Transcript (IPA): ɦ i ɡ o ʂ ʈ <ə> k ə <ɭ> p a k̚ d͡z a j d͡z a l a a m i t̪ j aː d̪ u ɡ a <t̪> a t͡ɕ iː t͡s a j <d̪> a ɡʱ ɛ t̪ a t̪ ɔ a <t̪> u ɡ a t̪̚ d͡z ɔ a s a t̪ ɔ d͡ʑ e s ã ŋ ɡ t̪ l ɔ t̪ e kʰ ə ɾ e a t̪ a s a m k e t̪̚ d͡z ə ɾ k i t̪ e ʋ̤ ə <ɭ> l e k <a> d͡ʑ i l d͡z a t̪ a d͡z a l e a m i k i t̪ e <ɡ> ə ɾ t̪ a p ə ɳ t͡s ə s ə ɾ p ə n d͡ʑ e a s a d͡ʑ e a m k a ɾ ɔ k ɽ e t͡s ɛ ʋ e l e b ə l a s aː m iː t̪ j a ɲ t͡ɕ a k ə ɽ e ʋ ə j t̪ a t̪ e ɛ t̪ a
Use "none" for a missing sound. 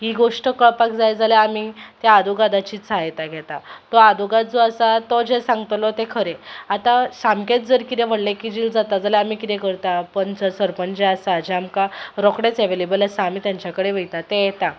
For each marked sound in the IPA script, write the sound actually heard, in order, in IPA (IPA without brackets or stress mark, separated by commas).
ə, ɭ, d̪, t̪, d̪, ɽ, i, k